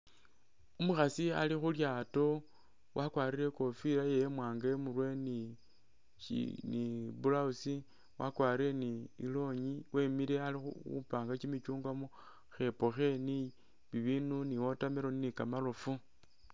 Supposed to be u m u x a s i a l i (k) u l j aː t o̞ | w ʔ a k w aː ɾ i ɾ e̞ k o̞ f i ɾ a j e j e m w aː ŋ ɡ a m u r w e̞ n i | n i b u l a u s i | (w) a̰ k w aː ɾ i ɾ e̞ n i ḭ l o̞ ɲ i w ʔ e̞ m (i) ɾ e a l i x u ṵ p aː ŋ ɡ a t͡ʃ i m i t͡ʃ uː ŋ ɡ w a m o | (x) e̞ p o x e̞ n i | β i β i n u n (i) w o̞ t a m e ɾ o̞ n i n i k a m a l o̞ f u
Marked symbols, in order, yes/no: no, yes, yes, yes, yes

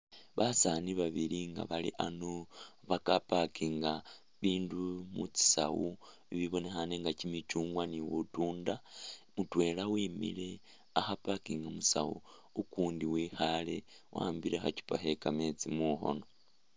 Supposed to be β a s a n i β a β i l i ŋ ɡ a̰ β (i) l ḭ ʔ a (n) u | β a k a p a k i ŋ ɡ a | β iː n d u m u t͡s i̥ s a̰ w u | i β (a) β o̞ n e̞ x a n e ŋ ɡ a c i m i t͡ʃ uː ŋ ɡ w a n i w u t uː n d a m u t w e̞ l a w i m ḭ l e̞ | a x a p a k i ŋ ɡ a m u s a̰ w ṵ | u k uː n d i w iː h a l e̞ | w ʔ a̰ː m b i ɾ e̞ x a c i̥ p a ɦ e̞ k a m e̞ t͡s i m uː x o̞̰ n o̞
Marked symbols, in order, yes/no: no, yes, no

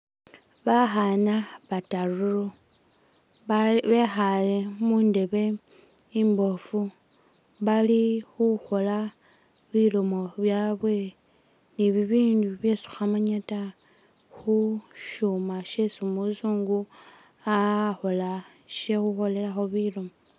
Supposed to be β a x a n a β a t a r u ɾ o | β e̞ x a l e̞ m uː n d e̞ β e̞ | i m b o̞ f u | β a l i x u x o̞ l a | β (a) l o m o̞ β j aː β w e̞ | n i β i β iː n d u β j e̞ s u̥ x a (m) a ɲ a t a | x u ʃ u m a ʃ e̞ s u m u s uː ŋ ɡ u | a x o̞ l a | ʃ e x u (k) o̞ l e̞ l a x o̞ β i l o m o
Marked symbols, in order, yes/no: no, yes, no

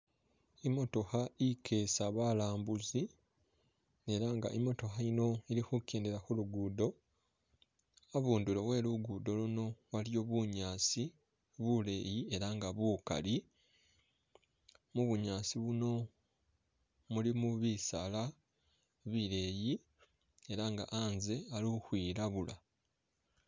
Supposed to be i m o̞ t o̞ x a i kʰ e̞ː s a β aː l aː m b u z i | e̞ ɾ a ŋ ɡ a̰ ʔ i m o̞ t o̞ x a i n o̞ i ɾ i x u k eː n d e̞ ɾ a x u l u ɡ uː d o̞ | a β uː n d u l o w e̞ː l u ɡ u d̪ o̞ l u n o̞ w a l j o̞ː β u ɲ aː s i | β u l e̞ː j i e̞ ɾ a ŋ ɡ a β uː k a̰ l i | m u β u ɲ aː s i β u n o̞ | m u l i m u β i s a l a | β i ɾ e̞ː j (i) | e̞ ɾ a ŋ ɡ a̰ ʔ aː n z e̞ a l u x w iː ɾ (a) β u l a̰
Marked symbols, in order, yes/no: yes, yes

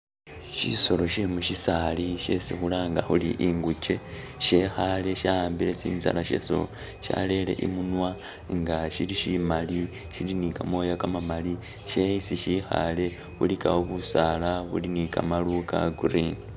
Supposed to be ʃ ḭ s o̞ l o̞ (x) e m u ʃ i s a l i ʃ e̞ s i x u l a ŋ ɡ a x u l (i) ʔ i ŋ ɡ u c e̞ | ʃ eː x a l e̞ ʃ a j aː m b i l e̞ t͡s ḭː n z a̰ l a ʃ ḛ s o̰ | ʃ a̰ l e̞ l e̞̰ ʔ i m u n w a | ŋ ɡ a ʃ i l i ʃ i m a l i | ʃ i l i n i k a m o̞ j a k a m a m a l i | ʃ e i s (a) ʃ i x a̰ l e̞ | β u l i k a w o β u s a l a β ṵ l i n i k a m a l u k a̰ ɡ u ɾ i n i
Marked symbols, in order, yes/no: no, yes, no

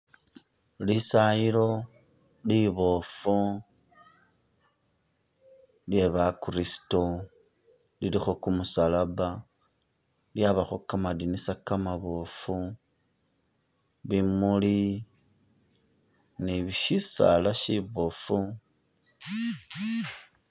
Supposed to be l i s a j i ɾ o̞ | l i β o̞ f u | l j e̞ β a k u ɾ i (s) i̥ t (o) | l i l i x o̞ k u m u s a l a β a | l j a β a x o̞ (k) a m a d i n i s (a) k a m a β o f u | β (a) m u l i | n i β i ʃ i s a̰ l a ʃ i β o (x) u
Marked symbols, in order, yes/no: yes, yes, yes, yes, no, no

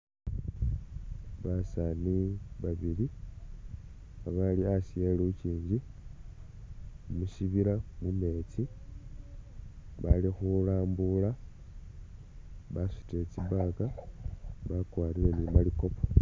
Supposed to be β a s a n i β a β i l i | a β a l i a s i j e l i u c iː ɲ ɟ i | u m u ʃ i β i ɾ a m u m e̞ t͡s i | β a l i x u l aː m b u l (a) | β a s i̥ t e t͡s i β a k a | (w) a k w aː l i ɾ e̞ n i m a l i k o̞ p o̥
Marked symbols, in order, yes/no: yes, no

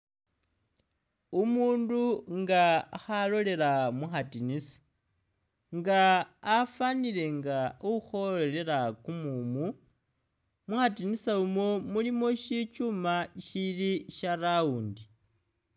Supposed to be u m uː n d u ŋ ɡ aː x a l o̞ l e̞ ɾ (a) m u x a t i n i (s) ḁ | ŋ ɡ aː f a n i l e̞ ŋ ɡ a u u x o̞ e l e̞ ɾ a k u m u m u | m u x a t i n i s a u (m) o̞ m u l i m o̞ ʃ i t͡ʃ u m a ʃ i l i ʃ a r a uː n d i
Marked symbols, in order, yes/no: yes, yes, yes

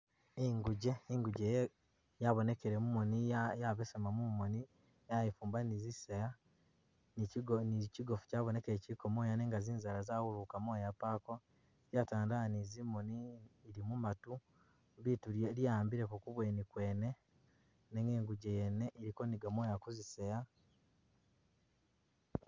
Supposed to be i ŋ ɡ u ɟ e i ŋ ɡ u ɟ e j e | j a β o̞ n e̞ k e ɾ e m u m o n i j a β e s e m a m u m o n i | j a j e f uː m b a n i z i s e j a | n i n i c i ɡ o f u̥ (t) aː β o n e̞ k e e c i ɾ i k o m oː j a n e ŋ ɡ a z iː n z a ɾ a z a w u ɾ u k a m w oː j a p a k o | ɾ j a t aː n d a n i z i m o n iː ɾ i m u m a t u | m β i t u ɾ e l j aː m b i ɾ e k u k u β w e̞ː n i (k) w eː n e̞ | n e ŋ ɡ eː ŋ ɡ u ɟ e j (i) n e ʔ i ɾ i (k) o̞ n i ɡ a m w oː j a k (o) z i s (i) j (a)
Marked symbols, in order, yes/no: no, yes, no, yes, no, no, yes

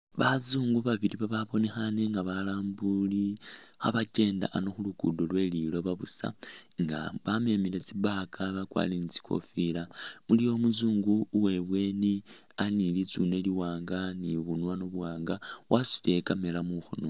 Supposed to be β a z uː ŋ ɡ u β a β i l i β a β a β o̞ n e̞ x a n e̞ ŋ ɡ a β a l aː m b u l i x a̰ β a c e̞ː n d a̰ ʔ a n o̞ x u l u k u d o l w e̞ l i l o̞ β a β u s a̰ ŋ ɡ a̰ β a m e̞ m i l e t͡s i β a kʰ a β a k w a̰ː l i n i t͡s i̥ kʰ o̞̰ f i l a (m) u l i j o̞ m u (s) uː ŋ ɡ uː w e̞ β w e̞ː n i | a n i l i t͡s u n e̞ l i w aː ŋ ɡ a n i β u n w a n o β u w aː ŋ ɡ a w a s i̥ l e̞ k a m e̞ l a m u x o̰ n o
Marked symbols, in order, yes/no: yes, no

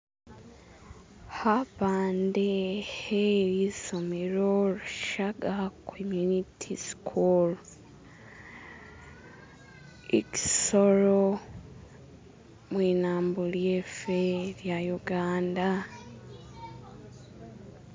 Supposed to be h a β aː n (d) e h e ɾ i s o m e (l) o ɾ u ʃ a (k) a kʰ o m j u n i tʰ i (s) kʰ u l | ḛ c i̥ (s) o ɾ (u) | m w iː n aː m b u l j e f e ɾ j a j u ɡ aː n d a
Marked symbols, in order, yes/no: yes, no, no, yes, yes, no

